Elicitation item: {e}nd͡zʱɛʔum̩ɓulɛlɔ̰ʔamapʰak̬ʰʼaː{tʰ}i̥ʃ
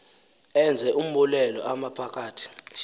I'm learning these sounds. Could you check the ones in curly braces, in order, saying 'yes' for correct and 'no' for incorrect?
no, yes

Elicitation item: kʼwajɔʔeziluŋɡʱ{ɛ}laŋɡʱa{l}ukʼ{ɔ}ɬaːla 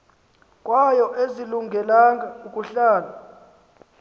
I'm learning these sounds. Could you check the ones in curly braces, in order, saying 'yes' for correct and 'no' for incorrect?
yes, no, no

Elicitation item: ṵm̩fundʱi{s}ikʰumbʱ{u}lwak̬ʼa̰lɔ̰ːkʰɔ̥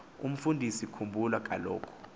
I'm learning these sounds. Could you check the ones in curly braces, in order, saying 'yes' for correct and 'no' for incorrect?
yes, yes

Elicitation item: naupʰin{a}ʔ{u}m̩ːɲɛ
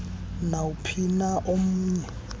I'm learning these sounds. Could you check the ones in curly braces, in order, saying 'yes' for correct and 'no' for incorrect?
yes, no

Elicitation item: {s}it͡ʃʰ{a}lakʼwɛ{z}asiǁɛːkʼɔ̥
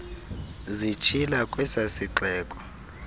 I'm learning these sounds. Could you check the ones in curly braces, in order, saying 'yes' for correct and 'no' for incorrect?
no, no, no

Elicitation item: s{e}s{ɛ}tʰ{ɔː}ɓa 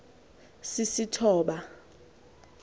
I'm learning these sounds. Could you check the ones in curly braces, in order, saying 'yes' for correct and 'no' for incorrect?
no, no, yes

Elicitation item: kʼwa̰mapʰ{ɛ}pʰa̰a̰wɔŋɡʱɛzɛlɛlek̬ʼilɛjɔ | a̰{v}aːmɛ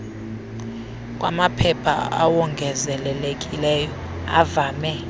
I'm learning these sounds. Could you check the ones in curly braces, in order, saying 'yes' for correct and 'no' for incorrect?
yes, yes

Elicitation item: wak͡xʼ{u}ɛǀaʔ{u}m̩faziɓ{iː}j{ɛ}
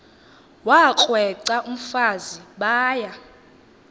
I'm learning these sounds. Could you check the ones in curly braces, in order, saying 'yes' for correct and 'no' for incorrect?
no, yes, no, no

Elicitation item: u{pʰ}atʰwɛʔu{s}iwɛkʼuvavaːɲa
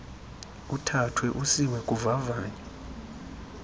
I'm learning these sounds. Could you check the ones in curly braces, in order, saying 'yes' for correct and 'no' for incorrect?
no, yes

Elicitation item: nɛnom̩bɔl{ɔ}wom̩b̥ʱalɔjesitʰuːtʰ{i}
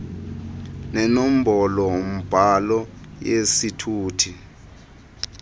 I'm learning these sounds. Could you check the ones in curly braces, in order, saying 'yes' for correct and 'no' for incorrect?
yes, yes

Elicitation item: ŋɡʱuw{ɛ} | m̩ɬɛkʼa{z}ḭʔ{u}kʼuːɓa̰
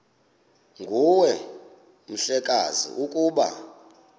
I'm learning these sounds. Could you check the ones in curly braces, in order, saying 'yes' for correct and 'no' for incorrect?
yes, yes, yes

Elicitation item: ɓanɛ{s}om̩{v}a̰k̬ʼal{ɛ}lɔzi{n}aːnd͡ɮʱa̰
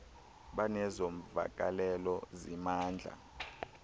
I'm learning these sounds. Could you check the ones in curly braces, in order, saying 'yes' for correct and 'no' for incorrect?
no, yes, yes, no

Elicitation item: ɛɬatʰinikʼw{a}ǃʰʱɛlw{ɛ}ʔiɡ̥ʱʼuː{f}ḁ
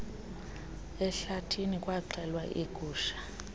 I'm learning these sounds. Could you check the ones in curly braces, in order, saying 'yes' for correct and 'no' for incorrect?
yes, no, no

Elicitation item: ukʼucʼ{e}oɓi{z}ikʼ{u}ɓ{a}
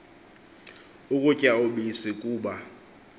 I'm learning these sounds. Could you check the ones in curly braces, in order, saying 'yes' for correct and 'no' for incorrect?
no, no, no, yes

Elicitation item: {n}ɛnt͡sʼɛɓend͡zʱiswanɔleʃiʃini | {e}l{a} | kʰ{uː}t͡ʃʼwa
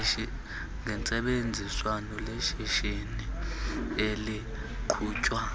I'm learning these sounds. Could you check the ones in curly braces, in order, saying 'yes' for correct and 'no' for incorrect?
no, yes, no, yes

